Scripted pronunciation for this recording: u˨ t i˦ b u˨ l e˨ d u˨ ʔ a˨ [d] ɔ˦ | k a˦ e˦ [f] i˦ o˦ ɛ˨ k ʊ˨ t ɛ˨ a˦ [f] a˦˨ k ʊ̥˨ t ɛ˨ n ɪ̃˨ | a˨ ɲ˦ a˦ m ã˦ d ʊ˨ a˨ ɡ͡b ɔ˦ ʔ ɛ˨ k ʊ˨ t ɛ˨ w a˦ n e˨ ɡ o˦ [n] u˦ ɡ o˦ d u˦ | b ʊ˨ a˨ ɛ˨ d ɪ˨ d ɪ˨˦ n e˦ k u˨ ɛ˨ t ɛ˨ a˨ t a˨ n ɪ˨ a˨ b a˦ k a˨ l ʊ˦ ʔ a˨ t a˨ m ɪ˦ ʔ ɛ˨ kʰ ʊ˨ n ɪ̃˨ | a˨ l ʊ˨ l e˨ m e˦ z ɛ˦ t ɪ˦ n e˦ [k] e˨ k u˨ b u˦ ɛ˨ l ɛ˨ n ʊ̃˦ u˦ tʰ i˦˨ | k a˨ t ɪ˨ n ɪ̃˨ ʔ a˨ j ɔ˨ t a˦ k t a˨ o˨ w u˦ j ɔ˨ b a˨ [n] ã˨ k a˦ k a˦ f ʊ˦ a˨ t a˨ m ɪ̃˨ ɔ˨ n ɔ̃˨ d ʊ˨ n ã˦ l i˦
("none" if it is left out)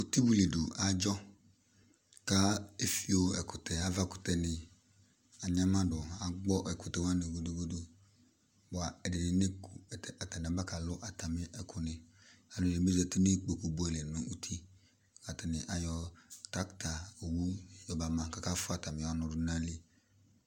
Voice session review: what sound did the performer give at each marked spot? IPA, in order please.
d͡ʒ, f, v, d, k͡p, m

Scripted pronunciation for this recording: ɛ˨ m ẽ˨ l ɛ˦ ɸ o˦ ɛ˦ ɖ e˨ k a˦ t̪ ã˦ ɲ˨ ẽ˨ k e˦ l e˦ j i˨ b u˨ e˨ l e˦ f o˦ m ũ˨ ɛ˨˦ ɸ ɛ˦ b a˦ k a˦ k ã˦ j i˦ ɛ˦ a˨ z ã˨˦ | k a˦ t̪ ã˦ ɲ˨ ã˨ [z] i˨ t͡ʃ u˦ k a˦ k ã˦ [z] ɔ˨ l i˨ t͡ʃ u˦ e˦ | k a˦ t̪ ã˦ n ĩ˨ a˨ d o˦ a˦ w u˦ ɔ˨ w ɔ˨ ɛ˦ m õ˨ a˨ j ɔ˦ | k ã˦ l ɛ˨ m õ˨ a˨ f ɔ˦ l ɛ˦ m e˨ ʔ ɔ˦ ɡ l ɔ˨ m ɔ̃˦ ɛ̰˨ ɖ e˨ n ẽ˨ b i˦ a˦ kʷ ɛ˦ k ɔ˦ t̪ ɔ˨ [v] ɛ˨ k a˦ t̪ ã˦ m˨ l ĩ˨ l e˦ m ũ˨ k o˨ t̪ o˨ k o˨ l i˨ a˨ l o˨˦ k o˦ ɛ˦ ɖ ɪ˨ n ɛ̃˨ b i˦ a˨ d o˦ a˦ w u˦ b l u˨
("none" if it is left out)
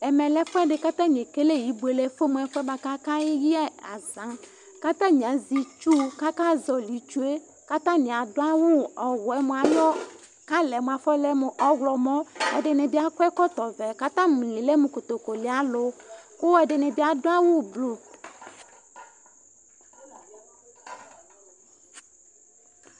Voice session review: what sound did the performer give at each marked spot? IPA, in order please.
z, z, v

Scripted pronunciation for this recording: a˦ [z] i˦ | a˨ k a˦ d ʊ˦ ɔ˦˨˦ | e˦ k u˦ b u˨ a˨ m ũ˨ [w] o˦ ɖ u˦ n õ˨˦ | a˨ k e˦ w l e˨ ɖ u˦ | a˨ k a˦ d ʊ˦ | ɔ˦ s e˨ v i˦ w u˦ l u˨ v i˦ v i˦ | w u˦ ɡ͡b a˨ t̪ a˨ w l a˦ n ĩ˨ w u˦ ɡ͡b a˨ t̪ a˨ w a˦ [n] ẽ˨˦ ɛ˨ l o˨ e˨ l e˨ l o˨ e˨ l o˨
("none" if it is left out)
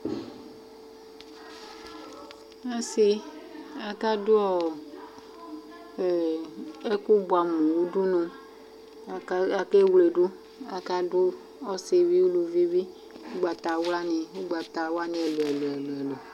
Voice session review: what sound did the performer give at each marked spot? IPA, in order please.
s, w, n

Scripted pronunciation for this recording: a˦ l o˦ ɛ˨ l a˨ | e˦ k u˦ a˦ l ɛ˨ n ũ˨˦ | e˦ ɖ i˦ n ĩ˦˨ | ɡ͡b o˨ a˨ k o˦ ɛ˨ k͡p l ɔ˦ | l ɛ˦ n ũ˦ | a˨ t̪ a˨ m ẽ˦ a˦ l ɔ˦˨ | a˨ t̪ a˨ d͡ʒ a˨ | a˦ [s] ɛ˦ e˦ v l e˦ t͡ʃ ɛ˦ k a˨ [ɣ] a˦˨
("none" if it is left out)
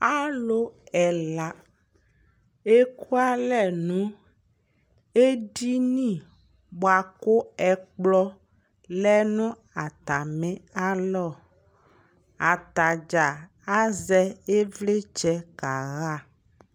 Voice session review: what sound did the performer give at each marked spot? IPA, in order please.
z, ɣ

